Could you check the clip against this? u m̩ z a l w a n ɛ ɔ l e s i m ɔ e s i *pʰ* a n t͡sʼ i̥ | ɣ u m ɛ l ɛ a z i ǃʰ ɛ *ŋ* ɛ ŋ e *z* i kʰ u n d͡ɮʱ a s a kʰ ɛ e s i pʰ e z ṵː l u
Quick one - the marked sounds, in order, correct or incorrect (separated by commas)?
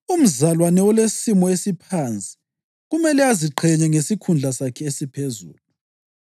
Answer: correct, incorrect, incorrect